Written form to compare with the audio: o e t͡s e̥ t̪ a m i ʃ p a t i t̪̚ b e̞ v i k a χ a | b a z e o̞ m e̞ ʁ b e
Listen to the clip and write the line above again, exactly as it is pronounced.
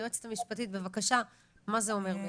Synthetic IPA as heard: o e t͡s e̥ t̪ a m i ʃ p a t i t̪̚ b e̞ v a k a ʃ a | m a z e o̞ m e̞ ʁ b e